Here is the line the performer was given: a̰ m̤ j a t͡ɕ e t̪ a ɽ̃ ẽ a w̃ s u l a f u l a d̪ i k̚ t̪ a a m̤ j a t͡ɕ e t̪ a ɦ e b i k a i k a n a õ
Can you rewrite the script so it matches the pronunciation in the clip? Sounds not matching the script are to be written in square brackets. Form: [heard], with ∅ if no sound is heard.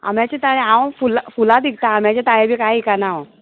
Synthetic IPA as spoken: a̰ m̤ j a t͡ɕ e t̪ a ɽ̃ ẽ a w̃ [f] u l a f u l a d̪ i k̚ t̪ a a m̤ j a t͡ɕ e t̪ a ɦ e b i k a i k a n a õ